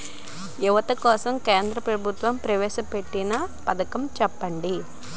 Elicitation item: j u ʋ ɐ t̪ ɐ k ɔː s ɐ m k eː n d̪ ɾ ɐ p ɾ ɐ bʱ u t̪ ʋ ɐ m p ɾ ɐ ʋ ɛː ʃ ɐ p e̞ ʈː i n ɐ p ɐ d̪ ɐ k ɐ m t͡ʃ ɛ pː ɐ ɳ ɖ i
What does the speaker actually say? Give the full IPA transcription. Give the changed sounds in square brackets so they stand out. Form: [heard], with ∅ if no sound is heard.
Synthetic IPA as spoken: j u ʋ ɐ t̪ ɐ k ɔː s ɐ m k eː n d̪ ɾ ɐ p ɾ ɐ bʱ u t̪ ʋ ɐ m p ɾ ɐ ʋ ɛː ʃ ɐ p e̞ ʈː i n ɐ p ɐ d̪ ɐ k ɐ m t͡ʃ ɛ pː ɐ ɳ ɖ i